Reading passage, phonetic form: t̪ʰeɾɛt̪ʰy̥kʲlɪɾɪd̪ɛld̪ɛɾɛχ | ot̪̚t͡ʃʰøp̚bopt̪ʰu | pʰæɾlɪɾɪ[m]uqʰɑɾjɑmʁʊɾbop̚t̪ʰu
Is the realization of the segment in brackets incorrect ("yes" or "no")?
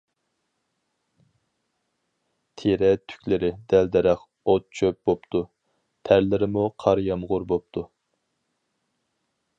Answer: no